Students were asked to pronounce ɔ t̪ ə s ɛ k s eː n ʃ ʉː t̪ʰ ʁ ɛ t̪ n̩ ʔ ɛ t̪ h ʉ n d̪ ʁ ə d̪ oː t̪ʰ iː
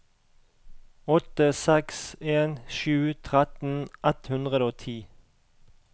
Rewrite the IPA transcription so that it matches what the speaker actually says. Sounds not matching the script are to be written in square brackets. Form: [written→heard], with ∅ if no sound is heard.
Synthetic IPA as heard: ɔ t̪ ə s ɛ k s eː n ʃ ʉː t̪ʰ ʁ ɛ t̪ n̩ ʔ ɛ t̪ h ʉ n d̪ ʁ ə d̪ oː t̪ʰ iː